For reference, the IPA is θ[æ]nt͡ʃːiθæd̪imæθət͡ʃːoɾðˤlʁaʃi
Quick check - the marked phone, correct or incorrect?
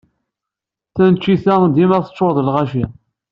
correct